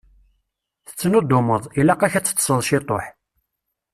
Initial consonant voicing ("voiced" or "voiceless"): voiceless